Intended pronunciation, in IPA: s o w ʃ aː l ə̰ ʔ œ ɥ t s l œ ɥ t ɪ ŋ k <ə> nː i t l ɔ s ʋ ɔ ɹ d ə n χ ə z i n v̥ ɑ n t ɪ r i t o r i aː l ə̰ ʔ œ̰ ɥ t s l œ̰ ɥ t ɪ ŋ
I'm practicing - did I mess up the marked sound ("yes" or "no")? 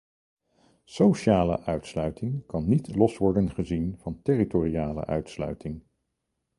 yes